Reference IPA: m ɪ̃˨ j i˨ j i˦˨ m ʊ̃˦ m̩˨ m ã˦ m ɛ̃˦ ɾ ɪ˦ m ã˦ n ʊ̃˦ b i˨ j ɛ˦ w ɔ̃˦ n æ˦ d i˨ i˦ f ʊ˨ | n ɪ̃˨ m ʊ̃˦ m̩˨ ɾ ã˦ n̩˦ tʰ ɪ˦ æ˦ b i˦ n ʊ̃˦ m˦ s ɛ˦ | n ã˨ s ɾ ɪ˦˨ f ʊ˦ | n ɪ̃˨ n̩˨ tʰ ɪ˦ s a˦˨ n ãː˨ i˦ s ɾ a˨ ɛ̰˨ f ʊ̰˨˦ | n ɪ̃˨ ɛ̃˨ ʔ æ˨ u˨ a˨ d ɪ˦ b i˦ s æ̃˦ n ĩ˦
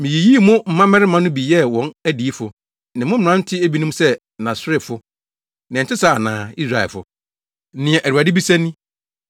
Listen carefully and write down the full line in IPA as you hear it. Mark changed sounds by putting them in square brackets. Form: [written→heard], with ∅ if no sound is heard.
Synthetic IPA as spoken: m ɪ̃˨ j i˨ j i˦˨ m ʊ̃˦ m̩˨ m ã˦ m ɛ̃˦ ɾ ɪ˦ m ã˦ n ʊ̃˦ b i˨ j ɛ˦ w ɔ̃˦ n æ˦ d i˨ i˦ f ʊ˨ | n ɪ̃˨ m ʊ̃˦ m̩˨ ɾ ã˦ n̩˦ tʰ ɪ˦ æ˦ b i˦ n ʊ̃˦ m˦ s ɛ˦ | n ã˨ s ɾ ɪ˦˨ f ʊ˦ | n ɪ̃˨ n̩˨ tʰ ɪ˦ s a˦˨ n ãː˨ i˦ s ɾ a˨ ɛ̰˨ f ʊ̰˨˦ | n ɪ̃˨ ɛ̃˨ ʔ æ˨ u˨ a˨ d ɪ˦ b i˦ s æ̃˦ n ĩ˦

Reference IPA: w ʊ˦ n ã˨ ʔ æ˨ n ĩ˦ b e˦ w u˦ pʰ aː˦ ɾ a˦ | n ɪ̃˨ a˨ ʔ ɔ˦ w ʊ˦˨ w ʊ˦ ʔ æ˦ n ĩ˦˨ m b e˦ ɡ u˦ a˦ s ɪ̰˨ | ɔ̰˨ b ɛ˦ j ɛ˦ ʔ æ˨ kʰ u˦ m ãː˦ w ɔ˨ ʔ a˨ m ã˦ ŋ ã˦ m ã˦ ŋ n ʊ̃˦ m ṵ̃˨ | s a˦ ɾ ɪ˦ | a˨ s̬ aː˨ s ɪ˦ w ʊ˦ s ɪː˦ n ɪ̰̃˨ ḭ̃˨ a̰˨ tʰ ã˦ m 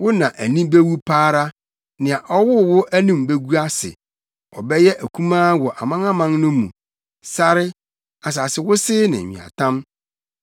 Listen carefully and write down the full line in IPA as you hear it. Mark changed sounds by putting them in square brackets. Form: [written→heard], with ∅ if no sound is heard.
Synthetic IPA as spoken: w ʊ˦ n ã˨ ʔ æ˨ n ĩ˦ b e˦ w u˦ pʰ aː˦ ɾ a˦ | n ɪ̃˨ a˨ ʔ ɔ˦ w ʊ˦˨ w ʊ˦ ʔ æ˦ n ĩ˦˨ m b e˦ ɡ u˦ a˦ s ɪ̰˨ | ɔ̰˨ b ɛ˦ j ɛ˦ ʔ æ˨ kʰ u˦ m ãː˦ w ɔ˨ ʔ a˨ m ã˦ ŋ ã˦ m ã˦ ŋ n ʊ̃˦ m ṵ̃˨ | s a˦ ɾ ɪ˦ | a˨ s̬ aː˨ s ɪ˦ w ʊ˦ s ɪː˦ n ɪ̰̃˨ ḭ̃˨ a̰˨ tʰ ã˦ m

